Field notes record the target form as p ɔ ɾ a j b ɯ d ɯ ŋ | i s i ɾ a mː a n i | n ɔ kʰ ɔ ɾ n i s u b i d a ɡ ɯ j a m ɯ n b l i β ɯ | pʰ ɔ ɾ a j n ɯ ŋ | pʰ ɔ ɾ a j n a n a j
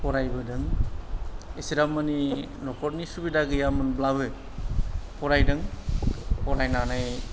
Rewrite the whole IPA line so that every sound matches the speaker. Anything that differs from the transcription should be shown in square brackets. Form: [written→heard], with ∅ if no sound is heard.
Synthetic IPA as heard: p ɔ ɾ a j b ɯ d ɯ ŋ | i s i ɾ a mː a n i | n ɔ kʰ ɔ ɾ n i s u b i d a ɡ ɯ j a m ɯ n b l [i→a] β ɯ | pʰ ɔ ɾ a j [n→d] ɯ ŋ | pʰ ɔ ɾ a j n a n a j